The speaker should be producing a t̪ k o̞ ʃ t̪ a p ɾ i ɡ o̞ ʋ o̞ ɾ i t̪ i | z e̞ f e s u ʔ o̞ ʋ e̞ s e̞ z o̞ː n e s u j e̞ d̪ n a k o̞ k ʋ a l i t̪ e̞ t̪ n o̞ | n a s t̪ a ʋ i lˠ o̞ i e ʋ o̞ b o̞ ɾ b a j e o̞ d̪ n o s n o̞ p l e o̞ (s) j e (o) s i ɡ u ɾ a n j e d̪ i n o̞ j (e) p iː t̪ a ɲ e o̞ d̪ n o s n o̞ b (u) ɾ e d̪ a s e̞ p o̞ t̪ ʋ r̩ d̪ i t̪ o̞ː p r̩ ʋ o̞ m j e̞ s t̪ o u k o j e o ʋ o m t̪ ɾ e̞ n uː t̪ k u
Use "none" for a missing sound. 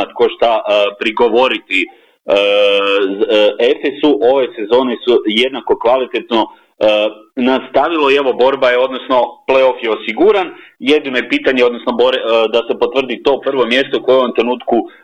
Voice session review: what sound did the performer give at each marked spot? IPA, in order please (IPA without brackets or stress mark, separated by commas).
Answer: f, o, e, o